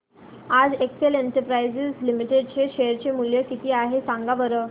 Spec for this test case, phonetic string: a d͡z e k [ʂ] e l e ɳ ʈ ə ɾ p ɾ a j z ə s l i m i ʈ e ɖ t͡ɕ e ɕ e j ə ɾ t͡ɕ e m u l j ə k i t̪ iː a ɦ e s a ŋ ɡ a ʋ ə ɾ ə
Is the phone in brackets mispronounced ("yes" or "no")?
yes